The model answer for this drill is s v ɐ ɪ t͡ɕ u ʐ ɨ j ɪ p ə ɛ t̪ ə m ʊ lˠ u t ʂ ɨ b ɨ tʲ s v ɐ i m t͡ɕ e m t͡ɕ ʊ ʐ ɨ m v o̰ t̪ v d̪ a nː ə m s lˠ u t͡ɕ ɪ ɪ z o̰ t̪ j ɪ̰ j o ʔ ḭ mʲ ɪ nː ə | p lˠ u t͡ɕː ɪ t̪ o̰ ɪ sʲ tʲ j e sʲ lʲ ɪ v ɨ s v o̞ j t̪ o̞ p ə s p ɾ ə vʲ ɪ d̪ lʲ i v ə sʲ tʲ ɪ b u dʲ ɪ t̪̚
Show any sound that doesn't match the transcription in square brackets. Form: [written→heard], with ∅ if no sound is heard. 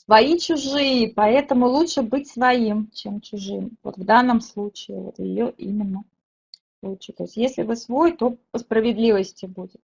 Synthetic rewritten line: s v ɐ [ɪ→i] t͡ɕ [u→ʊ] ʐ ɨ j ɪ p [ə→ɐ] ɛ t̪ ə m ʊ lˠ u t ʂ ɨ b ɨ tʲ s v ɐ i m t͡ɕ e m t͡ɕ ʊ ʐ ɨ m v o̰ t̪ v d̪ a nː ə m s lˠ u t͡ɕ ɪ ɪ [z→v] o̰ t̪ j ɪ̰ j o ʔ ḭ mʲ ɪ nː ə | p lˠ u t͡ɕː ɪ t̪ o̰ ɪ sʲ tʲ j e sʲ lʲ ɪ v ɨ s v o̞ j t̪ o̞ p ə s p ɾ ə vʲ ɪ d̪ lʲ i v ə sʲ tʲ ɪ b u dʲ ɪ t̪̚